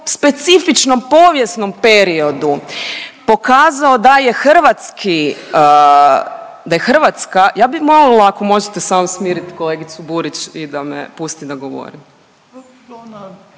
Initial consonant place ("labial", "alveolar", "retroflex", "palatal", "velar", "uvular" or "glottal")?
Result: alveolar